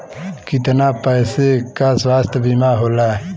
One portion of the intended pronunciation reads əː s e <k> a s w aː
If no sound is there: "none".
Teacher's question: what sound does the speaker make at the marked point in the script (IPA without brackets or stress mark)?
k